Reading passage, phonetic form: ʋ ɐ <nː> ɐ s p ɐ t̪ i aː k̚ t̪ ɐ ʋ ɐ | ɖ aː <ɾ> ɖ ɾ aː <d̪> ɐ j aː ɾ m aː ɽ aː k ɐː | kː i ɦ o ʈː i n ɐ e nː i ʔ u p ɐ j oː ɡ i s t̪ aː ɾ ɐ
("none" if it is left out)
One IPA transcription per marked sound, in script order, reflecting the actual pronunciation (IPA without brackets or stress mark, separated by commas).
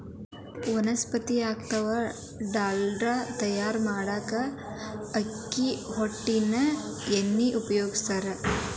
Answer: n, l, t̪